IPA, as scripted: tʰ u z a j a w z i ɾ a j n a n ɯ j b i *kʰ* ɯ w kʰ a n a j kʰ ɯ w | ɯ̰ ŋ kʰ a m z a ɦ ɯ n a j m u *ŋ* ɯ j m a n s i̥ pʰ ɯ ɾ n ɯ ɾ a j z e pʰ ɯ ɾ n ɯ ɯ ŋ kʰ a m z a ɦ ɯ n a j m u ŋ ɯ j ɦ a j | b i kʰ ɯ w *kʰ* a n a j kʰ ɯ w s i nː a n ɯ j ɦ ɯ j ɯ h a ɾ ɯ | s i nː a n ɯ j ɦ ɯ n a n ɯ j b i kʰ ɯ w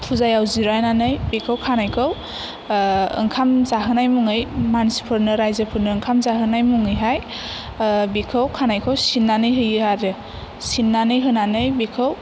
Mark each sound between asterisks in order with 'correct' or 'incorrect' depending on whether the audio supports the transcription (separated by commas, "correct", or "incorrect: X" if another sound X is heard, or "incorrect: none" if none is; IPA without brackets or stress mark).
correct, correct, correct